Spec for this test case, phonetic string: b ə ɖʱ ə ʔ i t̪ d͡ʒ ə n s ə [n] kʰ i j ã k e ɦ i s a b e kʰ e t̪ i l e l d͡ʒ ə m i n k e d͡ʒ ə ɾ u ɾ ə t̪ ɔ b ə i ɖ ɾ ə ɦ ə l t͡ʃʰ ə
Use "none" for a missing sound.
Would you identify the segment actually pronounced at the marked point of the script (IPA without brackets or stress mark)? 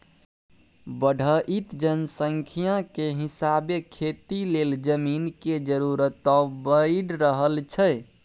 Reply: ŋ